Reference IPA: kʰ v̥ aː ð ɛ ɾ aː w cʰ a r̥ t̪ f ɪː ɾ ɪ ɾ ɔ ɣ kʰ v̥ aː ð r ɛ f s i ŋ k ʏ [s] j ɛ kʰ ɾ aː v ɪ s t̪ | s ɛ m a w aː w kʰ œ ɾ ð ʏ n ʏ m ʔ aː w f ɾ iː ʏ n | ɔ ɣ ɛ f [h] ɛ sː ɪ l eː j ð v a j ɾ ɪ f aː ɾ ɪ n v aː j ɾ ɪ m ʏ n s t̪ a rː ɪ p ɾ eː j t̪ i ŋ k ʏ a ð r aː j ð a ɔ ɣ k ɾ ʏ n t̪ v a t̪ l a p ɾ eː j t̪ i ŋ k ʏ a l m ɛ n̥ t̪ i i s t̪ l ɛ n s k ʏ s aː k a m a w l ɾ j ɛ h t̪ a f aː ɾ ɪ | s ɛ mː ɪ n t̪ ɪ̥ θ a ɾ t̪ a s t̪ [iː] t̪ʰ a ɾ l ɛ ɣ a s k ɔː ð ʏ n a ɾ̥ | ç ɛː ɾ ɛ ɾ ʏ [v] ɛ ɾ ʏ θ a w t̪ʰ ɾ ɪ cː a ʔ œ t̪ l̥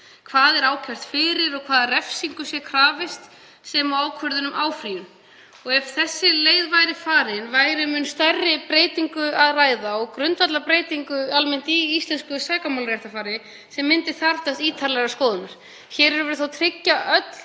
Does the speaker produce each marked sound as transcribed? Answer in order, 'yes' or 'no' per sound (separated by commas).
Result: yes, no, yes, yes